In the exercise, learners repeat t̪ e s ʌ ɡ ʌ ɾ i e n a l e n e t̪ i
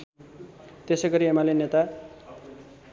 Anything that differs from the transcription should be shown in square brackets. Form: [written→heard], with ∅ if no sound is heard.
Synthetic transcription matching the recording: t̪ e s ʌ ɡ ʌ ɾ i e [n→m] a l e n e t̪ [i→a]